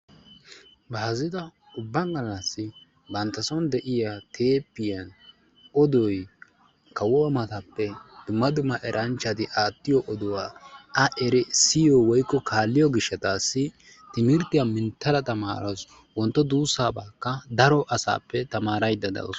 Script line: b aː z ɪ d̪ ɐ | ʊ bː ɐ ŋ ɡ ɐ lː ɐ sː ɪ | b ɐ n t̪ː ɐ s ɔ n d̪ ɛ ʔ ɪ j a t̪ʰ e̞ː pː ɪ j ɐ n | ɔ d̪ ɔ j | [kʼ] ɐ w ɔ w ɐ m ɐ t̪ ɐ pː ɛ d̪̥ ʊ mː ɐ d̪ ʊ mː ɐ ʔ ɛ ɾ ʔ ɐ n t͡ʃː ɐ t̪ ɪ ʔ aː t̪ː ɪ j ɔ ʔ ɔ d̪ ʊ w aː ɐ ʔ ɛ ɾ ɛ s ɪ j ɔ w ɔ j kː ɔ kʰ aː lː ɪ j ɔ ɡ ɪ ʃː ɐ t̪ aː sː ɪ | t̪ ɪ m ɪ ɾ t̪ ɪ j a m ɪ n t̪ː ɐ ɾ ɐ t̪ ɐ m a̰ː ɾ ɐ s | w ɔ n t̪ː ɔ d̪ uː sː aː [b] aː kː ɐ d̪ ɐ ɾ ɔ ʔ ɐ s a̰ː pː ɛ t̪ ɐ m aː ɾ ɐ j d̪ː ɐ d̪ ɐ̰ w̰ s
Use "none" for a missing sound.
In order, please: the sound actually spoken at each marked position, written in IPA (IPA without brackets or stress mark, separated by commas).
k, b